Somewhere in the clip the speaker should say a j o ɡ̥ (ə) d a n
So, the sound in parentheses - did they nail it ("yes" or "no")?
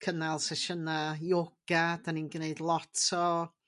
no